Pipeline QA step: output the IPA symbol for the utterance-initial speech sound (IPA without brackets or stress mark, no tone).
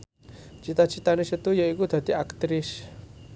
t͡ʃ